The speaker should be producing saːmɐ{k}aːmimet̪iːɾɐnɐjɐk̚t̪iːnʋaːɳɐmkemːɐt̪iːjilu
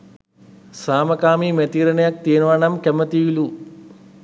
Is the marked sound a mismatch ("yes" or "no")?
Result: no